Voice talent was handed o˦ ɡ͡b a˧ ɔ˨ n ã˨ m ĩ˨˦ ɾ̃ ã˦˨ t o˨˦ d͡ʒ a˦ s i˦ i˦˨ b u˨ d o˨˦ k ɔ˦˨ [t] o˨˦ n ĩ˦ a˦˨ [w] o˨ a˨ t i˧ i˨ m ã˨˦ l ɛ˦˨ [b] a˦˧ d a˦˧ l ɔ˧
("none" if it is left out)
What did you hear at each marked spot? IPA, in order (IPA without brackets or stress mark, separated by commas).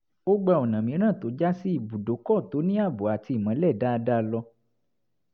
t, b, d